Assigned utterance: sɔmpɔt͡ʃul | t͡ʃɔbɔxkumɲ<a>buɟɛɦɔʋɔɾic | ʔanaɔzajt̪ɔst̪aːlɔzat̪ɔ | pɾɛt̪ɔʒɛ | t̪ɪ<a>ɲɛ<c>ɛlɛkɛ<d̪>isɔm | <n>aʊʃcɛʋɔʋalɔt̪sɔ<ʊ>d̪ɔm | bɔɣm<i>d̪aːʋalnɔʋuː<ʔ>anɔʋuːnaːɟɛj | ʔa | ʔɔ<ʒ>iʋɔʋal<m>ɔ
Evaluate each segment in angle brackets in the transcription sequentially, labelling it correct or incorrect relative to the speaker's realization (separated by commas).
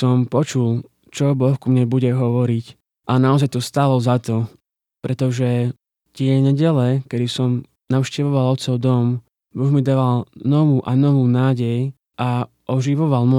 incorrect, incorrect, incorrect, correct, correct, correct, correct, correct, correct, correct